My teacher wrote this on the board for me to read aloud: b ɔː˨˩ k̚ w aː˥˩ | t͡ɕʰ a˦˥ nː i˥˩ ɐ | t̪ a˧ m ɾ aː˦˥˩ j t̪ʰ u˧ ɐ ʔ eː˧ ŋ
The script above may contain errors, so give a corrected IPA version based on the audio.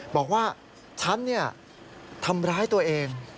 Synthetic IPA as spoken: b ɔː˨˩ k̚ w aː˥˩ | t͡ɕʰ a˦˥ nː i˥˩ ɐ | t̪ʰ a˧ m ɾ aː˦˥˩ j t̪ u˧ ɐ ʔ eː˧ ŋ